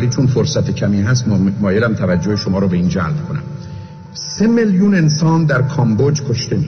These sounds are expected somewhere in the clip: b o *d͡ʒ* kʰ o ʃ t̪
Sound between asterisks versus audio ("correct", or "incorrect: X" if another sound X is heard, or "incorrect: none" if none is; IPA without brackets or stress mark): correct